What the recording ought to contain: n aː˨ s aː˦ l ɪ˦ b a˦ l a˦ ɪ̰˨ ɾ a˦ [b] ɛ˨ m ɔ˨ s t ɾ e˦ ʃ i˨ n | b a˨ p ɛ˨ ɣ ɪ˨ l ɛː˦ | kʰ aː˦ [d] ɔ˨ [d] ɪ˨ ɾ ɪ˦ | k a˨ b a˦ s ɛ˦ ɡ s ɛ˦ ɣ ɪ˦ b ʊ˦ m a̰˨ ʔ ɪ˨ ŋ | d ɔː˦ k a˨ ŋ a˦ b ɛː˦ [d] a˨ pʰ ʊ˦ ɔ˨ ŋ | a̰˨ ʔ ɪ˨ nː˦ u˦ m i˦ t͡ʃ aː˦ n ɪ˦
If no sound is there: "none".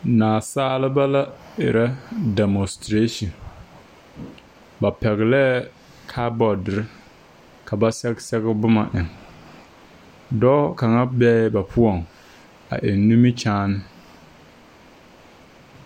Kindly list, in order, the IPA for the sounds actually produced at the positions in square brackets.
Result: d, b, d, b

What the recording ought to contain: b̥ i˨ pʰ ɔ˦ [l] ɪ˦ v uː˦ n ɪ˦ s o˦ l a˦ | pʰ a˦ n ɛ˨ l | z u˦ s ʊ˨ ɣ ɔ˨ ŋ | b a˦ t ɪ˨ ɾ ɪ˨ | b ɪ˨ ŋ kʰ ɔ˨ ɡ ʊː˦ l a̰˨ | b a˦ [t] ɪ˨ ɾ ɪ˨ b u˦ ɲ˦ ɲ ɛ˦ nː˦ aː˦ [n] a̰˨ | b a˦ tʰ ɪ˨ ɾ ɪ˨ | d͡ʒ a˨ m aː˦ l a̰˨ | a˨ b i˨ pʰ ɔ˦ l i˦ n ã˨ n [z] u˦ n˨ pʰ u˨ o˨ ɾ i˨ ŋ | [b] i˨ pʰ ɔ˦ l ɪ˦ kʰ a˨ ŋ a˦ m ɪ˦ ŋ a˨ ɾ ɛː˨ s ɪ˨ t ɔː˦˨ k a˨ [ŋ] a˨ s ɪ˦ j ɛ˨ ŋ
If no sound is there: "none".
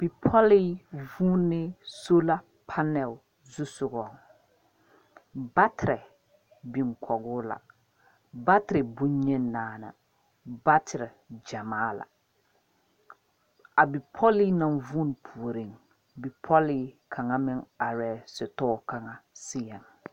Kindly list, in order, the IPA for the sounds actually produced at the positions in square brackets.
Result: l, t, n, v, b, ŋ

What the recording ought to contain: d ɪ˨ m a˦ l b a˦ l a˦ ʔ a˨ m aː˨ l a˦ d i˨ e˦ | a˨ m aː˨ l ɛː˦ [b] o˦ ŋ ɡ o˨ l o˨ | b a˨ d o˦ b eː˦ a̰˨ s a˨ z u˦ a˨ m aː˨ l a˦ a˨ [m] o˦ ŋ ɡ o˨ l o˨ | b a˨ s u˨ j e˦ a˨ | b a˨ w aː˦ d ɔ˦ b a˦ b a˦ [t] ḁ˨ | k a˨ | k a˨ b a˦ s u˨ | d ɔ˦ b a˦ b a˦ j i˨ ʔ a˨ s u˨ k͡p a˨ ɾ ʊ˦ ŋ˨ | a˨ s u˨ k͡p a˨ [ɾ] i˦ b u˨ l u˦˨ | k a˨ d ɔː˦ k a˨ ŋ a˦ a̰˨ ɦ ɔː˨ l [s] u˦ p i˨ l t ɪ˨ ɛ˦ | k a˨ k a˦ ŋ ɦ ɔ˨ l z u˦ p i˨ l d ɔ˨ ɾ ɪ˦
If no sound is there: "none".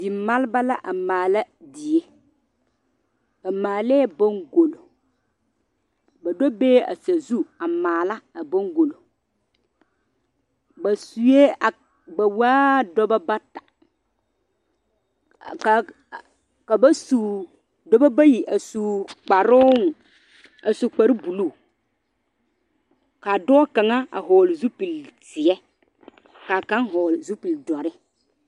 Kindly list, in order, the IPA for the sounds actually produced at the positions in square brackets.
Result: b, b, t, ɾ, z

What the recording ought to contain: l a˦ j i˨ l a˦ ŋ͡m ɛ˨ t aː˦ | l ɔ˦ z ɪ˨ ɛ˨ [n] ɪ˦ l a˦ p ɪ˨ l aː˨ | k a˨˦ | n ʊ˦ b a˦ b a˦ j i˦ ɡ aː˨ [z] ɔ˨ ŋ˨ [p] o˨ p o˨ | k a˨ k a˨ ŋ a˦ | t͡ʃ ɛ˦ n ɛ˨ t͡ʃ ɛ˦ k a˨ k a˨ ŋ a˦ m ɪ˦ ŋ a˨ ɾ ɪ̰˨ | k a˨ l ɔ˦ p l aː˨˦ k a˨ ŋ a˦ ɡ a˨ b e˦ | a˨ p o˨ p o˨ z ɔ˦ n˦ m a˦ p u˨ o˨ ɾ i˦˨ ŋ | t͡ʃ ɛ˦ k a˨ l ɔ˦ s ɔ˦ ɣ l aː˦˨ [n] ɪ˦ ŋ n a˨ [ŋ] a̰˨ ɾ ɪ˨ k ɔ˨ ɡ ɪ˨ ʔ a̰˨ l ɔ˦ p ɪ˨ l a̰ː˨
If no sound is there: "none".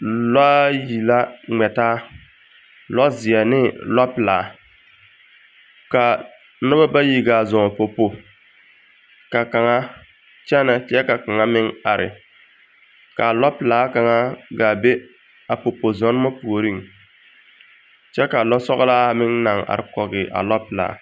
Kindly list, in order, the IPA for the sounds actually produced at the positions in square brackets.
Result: n, z, p, m, ŋ

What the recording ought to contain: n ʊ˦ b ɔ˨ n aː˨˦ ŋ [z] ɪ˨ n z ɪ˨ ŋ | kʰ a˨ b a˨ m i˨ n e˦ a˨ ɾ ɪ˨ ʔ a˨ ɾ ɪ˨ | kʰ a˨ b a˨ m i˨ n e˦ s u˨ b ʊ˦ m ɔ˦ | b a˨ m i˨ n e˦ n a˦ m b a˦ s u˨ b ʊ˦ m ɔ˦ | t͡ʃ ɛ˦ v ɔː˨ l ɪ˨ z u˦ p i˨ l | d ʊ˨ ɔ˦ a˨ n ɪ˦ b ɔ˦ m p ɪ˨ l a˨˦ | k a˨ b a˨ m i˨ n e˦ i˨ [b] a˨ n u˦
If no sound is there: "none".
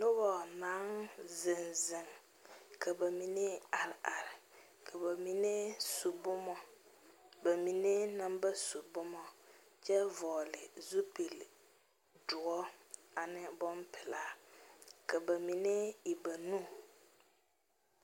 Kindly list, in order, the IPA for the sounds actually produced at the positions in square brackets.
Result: z, b

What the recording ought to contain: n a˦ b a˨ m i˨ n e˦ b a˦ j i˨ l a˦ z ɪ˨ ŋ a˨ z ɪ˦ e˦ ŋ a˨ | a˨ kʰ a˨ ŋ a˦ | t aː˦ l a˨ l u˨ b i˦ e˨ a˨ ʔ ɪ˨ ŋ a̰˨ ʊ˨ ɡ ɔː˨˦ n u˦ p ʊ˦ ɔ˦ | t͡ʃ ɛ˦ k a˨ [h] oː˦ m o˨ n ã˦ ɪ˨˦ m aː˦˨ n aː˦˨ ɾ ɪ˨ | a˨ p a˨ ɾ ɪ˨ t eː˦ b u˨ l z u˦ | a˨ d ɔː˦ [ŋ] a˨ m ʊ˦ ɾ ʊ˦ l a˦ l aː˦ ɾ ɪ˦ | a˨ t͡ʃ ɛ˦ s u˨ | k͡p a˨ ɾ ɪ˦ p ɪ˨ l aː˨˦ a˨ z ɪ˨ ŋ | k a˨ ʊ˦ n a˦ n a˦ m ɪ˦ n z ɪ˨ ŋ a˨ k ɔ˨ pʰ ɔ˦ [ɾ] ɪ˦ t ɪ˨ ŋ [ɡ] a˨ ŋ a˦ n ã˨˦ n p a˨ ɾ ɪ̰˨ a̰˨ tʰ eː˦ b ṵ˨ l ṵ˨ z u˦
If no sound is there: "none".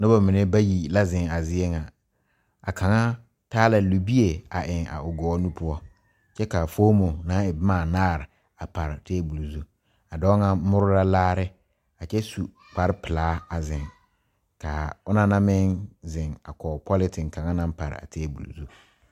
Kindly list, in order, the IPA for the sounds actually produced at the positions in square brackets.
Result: f, ŋ, l, k

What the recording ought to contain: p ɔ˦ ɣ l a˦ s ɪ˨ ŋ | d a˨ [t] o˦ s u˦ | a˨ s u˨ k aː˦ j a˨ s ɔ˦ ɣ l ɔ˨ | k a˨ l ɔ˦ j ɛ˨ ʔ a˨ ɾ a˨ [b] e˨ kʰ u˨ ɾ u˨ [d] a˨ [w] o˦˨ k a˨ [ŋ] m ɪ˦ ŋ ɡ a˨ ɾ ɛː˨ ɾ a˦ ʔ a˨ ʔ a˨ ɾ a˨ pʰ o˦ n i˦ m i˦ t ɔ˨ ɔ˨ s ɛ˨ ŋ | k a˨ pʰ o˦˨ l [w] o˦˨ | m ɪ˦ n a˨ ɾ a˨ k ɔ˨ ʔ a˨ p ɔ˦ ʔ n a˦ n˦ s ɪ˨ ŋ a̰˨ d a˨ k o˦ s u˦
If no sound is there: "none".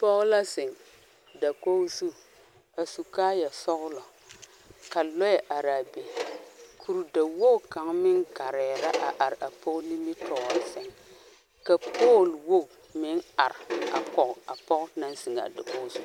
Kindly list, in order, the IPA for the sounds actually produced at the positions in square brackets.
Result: k, b, d, w, ŋ, w

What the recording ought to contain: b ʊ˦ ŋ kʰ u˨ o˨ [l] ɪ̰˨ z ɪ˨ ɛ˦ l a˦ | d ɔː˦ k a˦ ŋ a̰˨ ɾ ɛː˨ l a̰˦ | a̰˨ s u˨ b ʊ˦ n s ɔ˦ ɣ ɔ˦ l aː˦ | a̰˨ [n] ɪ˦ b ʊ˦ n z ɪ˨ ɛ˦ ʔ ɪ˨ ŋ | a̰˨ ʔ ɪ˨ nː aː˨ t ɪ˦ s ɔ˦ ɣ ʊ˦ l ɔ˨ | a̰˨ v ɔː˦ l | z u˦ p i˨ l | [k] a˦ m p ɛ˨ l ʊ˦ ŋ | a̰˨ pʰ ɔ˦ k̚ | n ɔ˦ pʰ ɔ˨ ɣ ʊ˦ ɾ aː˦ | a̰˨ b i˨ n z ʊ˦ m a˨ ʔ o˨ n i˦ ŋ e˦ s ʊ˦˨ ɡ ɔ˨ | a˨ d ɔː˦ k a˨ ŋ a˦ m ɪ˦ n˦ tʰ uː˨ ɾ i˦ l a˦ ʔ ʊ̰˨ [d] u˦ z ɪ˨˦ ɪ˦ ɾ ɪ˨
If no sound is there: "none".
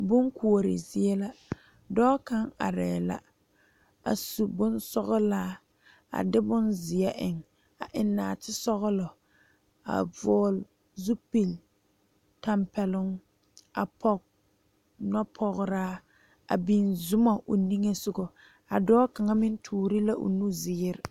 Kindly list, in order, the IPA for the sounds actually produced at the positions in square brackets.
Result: ɾ, d, t, n

